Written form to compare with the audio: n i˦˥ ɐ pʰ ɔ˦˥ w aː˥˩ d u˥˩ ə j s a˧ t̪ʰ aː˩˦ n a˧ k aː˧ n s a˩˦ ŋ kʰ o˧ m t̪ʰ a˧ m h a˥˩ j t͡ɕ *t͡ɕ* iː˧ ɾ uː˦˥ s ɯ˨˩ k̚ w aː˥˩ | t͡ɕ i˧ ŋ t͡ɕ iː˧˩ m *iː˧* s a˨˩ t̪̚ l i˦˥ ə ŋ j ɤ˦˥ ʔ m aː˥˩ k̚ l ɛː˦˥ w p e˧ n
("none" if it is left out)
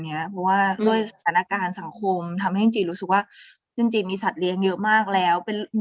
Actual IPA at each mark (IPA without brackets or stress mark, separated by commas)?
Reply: t͡ɕ, iː˧